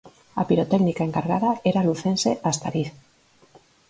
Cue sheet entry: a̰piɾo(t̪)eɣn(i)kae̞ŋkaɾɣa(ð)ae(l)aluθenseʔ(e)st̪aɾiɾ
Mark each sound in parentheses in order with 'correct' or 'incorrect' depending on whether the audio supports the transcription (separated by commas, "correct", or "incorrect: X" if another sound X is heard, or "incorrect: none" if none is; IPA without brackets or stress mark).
correct, correct, correct, incorrect: ɾ, incorrect: a